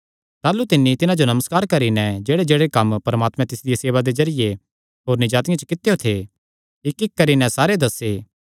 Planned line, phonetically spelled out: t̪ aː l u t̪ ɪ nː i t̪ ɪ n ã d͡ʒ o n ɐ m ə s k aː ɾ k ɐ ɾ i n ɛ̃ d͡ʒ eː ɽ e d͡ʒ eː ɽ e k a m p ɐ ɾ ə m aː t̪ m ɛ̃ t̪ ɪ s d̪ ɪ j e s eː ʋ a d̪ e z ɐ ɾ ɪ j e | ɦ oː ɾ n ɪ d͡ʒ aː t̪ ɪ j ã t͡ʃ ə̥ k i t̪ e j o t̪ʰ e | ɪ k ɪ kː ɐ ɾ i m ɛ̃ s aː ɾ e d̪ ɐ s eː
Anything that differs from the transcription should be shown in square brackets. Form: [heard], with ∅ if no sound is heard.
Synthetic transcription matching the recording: t̪ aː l u t̪ ɪ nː i t̪ ɪ n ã d͡ʒ o n ɐ m ə s k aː ɾ k ɐ ɾ i n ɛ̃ d͡ʒ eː ɽ e d͡ʒ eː ɽ e k [ɐ] m p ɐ ɾ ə m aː t̪ m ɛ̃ t̪ ɪ s d̪ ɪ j e s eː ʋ a d̪ e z ɐ ɾ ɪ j e | ɦ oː ɾ n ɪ d͡ʒ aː t̪ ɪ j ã t͡ʃ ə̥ k [ɪ] t̪ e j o t̪ʰ e | ɪ k ɪ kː ɐ ɾ i [n] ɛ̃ s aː ɾ e d̪ ɐ s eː